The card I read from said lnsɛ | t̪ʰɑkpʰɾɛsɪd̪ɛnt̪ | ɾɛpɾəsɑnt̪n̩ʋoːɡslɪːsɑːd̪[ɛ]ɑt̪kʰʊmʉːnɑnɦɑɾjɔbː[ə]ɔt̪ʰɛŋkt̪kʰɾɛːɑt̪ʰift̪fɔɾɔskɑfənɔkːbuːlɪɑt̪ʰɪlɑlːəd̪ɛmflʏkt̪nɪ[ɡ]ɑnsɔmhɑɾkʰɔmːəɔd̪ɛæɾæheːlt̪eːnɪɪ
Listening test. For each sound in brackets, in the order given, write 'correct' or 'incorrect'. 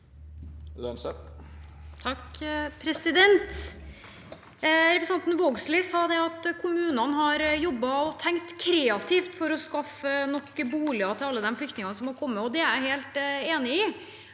correct, incorrect: ɑ, incorrect: ŋ

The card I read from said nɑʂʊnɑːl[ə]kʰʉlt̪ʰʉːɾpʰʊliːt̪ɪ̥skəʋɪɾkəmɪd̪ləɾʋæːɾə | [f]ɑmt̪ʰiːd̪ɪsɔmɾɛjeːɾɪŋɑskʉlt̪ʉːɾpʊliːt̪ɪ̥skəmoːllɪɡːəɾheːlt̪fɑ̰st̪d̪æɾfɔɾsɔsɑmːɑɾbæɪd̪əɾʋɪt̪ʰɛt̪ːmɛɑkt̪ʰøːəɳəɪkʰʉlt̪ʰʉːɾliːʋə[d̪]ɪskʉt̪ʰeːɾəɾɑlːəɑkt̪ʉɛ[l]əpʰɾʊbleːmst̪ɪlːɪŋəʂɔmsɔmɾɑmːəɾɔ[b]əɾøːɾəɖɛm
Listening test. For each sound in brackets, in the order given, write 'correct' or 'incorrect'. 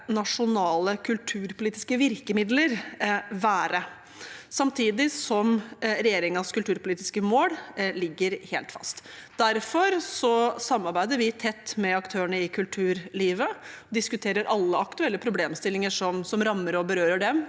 correct, incorrect: s, correct, incorrect: lː, correct

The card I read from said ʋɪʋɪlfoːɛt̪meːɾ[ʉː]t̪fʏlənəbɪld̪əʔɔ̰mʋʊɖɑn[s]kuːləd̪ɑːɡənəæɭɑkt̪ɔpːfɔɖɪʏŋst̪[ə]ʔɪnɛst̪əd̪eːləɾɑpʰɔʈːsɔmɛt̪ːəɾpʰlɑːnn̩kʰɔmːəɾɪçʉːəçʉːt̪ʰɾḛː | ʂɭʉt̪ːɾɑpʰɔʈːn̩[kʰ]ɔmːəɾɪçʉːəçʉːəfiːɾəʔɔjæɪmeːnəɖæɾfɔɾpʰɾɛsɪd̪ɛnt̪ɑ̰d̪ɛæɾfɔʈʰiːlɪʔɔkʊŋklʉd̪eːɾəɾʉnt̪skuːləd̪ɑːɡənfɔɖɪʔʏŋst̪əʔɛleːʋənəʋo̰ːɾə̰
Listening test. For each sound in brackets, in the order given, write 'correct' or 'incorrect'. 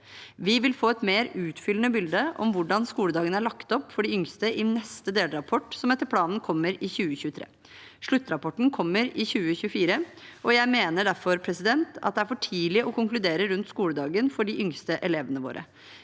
correct, correct, correct, correct

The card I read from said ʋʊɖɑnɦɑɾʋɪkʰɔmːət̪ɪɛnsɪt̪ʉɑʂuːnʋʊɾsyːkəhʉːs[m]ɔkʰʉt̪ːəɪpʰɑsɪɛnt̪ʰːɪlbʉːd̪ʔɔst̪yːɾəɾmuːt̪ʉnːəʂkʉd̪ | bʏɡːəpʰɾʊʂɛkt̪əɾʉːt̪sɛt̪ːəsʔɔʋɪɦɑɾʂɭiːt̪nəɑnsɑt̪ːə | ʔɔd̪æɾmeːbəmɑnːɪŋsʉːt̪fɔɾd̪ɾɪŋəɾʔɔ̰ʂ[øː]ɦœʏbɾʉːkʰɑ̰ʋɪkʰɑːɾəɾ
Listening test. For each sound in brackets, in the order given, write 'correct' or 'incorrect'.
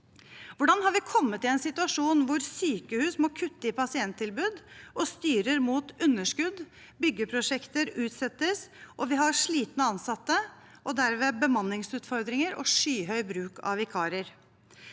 correct, incorrect: yː

